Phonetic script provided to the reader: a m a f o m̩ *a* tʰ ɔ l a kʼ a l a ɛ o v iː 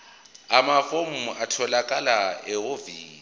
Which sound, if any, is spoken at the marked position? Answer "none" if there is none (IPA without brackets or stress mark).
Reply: a